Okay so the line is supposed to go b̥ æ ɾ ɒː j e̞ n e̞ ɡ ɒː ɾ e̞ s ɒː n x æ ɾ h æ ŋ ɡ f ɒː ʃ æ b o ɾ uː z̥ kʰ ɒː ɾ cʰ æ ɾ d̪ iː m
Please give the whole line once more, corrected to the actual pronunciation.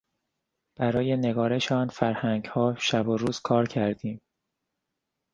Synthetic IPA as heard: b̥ æ ɾ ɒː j e̞ n e̞ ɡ ɒː ɾ e̞ ʃ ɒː n f æ ɾ h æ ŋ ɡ h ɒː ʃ æ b o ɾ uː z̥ kʰ ɒː ɾ cʰ æ ɾ d̪ iː m